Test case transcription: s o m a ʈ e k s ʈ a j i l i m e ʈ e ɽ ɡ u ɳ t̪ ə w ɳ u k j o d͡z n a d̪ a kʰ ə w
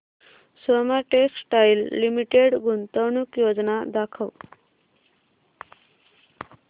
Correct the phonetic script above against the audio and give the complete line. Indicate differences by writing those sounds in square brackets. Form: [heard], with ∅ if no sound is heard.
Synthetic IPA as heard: s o m a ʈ e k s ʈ a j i [lː] i m [i] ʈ e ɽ ɡ u [n] t̪ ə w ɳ u k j o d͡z n a d̪ a kʰ ə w